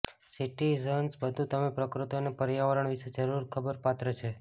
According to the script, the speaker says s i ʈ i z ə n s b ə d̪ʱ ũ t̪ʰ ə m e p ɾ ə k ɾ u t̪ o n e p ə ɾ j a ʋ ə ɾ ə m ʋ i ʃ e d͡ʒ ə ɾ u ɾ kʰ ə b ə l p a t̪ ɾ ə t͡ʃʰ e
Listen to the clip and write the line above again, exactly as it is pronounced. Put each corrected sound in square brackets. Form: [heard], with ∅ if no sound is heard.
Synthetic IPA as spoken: s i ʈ i z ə n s b ə d̪ʱ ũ [t̪] ə m e p ɾ ə k ɾ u t̪ o n e p ə ɾ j a ʋ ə ɾ ə [ɳ] ʋ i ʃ e d͡ʒ ə ɾ u ɾ kʰ ə b ə [ɾ] p a t̪ ɾ ə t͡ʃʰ e